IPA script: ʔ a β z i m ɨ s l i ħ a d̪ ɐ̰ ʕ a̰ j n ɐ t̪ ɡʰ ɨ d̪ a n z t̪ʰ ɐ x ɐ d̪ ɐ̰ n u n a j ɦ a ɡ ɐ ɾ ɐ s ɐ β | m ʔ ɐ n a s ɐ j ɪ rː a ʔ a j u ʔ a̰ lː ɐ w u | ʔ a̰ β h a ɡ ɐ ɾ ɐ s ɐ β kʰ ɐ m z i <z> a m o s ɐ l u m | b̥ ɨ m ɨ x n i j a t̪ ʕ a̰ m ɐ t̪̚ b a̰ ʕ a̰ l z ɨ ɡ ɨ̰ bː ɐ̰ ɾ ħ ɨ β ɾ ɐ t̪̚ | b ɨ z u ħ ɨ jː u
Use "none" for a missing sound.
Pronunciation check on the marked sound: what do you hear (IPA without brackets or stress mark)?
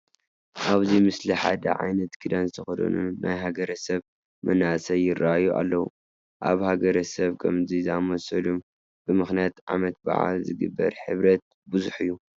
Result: z